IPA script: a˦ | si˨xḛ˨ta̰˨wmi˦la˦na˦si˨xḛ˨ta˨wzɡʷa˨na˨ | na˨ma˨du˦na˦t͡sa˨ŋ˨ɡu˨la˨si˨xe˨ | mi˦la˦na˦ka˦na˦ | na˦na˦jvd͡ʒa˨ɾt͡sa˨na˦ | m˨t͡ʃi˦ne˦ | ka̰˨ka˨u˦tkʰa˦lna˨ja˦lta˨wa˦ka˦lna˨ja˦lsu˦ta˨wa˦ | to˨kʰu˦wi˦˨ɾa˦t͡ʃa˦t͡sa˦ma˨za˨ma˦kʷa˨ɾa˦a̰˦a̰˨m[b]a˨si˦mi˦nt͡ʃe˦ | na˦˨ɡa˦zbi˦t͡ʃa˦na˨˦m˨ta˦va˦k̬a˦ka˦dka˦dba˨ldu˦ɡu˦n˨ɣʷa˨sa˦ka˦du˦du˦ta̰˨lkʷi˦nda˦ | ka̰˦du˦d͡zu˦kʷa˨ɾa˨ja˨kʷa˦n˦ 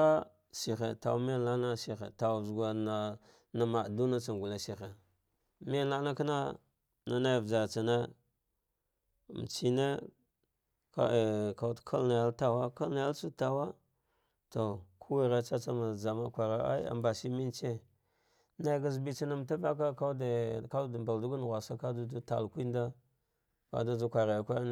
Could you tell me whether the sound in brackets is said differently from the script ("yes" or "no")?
no